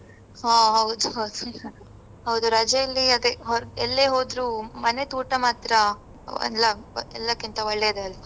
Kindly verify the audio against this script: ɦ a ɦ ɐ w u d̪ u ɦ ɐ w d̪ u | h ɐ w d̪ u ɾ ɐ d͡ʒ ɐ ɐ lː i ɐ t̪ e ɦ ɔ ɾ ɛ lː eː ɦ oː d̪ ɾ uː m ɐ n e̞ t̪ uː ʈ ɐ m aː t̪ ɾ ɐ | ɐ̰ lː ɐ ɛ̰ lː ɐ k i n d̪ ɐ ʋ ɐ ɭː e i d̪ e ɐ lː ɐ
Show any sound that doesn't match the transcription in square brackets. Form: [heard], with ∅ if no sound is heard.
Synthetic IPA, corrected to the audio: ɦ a ɦ ɐ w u d̪ u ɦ ɐ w d̪ u | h ɐ w d̪ u ɾ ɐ d͡ʒ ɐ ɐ lː i ɐ [d̪] e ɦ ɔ ɾ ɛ lː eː ɦ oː d̪ ɾ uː m ɐ n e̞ t̪ uː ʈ ɐ m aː t̪ ɾ ɐ | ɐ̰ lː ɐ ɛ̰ lː ɐ k i n [t̪] ɐ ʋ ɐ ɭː e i d̪ e ɐ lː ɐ